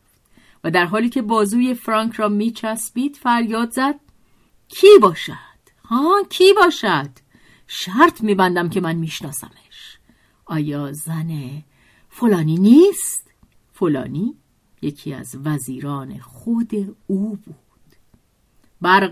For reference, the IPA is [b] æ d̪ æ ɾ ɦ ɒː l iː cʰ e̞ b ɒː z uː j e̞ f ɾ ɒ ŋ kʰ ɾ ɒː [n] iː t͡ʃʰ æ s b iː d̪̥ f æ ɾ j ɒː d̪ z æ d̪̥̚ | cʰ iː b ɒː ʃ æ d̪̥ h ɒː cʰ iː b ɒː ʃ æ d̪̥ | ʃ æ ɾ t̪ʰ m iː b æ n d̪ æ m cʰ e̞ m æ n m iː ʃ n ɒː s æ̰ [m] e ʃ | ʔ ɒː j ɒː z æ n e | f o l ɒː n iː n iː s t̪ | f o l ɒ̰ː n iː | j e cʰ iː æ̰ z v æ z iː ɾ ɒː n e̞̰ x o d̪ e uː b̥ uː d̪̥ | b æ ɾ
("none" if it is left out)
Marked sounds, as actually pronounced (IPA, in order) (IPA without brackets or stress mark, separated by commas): v, m, m